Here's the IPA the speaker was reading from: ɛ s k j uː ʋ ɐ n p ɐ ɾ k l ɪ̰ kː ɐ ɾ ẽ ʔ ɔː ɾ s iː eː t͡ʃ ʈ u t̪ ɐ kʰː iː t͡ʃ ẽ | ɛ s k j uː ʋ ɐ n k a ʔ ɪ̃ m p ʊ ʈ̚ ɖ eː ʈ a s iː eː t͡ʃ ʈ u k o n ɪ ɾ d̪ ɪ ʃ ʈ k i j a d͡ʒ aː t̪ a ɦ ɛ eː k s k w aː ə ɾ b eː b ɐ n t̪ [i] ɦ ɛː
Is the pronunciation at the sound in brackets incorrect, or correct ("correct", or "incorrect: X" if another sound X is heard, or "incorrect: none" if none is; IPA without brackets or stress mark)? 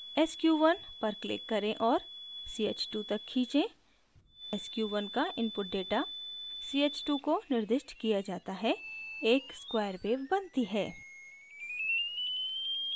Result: correct